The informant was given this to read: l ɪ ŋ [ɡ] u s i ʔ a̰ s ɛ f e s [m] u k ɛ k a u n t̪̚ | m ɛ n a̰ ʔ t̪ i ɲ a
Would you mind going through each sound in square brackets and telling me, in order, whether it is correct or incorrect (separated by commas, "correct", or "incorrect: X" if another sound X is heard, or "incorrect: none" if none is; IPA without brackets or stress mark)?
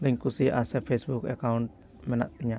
incorrect: k, incorrect: b